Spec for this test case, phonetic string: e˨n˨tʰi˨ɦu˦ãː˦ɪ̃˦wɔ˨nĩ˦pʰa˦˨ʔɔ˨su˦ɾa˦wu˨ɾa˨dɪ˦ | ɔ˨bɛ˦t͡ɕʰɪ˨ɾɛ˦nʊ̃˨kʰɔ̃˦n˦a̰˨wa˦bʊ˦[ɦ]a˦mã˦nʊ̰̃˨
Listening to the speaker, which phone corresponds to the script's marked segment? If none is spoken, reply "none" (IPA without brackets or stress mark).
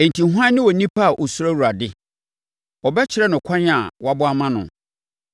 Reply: none